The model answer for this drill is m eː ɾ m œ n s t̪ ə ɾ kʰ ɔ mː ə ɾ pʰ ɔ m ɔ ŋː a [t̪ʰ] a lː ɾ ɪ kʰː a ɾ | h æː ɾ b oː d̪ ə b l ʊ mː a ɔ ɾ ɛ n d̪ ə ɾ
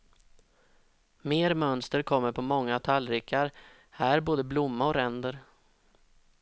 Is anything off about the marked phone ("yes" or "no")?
no